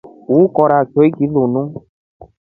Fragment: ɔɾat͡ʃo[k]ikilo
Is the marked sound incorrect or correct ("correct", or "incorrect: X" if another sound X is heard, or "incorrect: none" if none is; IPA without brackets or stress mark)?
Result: incorrect: none